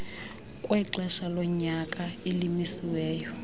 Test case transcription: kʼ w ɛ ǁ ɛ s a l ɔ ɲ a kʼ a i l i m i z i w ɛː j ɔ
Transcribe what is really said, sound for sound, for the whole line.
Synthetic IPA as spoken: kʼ w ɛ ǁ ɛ ʃ a l ɔ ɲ a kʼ a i l i m i s i w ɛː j ɔ